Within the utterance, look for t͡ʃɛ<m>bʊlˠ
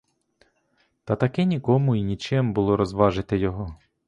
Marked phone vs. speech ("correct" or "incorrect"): correct